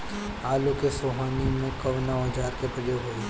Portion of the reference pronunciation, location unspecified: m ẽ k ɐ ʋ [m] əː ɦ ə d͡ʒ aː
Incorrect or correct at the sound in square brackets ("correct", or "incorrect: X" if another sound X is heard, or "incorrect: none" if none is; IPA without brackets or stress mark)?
incorrect: n